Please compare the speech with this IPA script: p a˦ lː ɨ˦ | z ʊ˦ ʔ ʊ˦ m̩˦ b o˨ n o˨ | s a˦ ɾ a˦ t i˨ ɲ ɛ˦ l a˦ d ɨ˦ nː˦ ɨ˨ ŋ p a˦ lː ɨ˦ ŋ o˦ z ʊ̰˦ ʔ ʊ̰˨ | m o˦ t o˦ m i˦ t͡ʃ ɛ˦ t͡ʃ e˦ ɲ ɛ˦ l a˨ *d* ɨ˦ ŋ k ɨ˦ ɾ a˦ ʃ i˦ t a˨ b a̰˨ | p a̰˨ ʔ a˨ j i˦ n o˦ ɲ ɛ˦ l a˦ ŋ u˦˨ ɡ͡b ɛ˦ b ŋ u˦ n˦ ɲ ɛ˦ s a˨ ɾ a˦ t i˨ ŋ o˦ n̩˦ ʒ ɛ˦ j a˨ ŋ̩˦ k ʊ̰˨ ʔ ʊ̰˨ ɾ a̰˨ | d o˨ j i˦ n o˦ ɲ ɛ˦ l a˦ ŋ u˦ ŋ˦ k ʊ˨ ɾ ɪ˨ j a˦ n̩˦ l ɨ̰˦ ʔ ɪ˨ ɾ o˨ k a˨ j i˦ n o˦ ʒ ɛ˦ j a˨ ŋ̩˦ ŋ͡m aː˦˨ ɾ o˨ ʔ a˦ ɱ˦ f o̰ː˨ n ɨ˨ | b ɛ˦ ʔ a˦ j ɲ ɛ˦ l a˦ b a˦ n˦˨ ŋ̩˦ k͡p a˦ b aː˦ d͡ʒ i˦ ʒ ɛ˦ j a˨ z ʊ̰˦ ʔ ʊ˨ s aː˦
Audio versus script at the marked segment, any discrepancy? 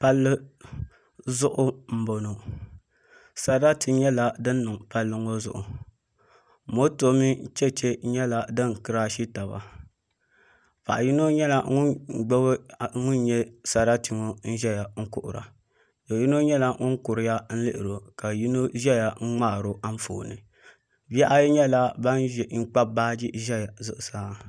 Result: no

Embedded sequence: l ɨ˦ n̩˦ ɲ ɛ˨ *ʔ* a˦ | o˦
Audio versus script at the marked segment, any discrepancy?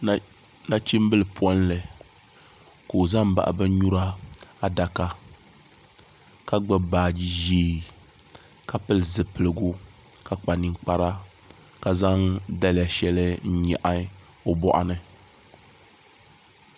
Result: no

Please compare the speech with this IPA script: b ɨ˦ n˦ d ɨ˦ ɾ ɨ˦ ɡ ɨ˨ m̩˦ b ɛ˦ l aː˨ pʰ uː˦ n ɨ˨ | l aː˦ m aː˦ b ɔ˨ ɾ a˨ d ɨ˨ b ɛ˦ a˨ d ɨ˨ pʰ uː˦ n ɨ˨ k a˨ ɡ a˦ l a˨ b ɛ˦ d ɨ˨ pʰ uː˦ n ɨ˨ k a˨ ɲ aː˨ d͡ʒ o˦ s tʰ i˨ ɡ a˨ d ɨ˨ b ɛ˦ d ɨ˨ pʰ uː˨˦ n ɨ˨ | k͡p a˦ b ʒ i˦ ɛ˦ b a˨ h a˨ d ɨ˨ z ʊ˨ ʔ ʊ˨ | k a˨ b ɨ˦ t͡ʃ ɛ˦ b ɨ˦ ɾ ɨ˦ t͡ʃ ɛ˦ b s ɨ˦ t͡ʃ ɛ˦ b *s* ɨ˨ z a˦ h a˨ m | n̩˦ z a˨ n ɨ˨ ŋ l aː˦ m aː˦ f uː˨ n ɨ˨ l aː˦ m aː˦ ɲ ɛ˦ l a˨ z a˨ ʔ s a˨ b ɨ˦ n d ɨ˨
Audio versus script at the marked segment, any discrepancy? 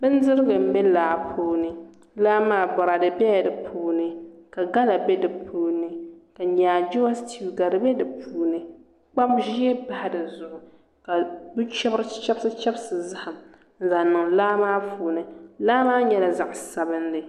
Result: no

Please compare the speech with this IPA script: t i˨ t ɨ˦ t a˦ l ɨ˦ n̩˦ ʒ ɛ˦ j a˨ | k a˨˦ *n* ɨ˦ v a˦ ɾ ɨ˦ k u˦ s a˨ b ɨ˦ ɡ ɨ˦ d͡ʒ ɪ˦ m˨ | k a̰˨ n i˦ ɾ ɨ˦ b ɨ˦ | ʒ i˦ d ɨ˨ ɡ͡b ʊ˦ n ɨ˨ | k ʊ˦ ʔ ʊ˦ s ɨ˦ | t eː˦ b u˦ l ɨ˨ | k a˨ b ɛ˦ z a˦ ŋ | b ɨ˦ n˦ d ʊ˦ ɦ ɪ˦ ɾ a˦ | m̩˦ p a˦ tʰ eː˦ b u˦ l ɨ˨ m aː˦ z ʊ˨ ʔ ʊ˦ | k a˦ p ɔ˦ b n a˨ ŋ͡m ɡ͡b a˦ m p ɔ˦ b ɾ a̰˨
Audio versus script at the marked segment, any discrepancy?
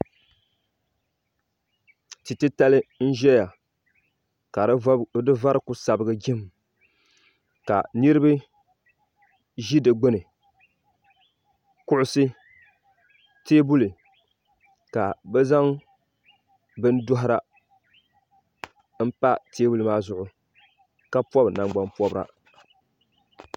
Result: yes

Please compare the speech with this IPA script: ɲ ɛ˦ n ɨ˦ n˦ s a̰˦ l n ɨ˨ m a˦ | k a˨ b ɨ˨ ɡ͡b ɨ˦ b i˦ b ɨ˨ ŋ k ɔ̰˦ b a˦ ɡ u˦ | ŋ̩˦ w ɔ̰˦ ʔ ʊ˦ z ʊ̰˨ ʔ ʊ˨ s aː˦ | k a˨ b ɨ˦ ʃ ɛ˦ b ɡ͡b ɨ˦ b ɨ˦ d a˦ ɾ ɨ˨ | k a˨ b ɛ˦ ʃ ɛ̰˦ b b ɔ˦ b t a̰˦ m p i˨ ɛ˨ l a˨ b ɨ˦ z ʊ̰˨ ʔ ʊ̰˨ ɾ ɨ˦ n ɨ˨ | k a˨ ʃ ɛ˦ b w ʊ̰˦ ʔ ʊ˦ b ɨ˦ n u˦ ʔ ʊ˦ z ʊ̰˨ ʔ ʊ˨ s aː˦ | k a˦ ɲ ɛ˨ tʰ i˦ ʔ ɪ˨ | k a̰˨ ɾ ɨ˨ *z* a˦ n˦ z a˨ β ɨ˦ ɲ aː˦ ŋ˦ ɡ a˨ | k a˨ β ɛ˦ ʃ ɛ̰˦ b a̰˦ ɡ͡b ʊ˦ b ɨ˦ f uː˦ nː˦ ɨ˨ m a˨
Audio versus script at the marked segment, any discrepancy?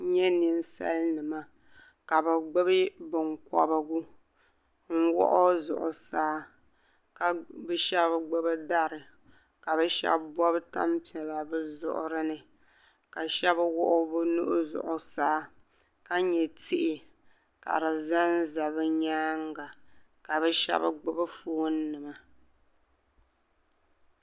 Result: no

